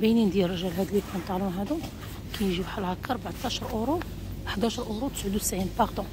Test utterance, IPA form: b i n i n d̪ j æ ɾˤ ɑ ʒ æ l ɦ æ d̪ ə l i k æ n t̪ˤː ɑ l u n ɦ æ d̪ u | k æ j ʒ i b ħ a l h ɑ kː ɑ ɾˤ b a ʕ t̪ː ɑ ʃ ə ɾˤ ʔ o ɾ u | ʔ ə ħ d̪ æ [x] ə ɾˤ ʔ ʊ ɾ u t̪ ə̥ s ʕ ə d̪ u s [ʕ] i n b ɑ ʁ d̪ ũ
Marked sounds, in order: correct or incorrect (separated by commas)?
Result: incorrect, correct